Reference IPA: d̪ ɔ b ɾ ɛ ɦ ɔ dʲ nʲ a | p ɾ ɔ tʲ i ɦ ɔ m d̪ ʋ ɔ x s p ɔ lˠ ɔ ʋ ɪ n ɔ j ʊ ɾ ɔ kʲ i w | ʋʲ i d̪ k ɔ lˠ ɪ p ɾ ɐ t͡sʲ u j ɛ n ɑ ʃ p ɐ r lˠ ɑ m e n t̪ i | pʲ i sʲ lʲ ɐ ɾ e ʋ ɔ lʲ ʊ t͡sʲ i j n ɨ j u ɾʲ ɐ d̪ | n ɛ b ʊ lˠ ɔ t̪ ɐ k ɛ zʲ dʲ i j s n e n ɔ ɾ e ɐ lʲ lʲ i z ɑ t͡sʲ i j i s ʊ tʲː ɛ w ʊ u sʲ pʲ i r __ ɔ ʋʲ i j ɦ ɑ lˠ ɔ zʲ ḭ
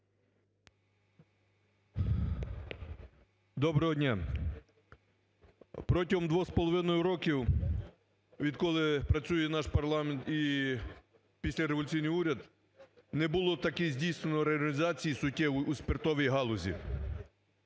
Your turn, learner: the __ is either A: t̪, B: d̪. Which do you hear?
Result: A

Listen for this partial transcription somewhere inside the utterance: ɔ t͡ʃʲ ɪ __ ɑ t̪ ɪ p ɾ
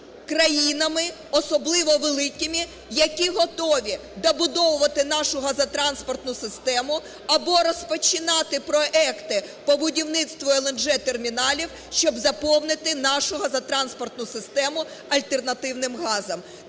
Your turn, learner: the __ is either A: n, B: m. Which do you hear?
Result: A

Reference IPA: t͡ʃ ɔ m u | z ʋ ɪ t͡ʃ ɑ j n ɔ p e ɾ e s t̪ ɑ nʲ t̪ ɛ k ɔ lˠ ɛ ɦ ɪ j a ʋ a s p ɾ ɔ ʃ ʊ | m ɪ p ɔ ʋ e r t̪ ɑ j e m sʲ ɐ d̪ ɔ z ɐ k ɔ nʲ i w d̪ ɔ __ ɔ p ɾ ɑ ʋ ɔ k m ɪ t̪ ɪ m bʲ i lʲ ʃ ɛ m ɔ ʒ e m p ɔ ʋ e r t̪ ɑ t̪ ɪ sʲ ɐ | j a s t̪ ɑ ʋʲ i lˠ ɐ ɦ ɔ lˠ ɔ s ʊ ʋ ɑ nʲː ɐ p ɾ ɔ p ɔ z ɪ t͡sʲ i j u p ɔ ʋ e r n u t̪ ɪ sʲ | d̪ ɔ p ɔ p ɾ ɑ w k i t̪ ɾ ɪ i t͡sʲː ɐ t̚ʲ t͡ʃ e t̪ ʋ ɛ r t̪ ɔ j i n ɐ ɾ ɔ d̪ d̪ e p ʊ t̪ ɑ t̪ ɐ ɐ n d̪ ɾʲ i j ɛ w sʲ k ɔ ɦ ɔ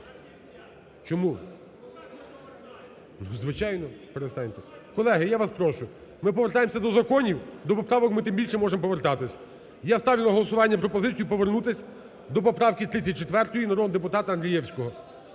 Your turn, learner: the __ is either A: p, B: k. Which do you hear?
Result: A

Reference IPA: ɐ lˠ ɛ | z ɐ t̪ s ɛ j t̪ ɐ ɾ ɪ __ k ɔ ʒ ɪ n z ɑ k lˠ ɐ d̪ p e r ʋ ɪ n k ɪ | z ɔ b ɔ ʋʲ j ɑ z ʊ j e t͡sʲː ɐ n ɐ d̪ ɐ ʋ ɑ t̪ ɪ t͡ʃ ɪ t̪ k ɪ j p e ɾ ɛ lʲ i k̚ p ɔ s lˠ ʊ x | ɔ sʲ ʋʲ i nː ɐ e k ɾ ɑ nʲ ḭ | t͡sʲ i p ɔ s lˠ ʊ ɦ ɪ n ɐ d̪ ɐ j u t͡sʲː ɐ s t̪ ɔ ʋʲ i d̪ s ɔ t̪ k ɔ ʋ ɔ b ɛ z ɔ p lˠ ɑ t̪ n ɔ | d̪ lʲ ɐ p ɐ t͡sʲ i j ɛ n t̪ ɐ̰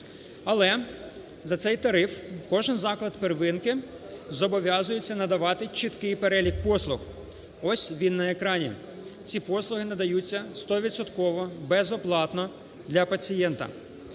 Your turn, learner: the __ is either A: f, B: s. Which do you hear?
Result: A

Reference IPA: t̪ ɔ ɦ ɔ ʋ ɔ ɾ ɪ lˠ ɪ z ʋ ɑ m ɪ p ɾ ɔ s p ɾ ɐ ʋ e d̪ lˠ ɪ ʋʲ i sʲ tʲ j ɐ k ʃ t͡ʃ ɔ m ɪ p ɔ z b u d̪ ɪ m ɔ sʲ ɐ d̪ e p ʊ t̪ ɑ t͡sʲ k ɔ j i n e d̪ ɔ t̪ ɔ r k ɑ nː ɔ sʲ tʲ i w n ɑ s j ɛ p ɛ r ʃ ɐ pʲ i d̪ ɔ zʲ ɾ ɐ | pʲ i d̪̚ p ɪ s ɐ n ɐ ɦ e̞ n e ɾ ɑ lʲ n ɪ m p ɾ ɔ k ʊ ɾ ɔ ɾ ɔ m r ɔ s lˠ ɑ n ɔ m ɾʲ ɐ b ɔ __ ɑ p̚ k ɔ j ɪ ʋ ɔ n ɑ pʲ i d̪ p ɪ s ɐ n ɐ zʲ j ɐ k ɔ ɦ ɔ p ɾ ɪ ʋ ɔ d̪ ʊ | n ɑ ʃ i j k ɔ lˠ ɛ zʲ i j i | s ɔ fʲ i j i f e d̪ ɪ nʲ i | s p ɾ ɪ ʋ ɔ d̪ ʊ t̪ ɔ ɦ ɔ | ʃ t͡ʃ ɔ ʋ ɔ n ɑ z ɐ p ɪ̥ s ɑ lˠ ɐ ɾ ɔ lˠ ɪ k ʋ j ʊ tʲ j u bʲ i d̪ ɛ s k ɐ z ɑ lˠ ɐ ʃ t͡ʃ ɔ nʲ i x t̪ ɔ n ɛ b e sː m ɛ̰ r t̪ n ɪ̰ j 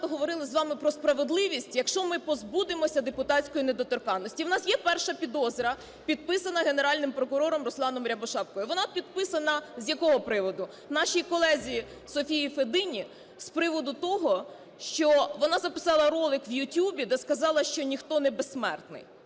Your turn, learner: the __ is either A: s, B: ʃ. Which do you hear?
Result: B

